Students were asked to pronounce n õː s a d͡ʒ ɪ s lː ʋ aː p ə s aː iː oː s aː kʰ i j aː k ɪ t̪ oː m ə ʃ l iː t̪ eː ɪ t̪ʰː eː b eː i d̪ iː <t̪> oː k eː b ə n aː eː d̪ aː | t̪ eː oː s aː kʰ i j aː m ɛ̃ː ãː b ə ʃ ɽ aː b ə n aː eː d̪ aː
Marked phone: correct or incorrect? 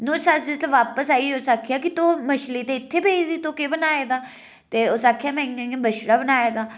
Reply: correct